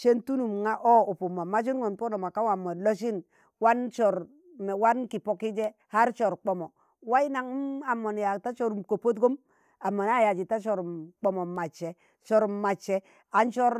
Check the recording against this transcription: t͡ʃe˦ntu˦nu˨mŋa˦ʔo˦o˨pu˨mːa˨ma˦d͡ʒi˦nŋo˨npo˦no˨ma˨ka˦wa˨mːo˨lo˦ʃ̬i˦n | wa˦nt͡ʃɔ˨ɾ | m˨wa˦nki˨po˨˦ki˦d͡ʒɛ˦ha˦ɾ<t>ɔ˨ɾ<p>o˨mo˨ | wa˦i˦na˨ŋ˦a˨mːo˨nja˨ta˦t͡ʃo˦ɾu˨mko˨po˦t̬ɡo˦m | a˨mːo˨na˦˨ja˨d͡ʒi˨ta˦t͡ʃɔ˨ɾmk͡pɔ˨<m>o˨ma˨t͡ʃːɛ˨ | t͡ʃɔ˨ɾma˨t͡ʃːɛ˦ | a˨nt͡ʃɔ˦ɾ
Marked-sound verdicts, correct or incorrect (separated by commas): incorrect, incorrect, correct